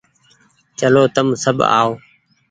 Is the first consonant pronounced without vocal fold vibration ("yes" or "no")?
yes